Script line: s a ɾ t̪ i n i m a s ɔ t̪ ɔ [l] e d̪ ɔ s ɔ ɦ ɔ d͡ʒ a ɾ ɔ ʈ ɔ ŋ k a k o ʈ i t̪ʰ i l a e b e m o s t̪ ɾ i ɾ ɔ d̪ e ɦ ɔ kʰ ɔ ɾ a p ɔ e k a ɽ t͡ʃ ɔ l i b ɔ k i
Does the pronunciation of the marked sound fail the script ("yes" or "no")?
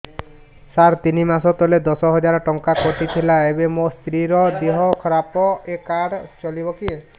no